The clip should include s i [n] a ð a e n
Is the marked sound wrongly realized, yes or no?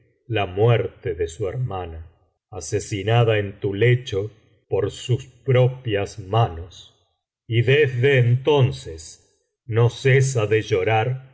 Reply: no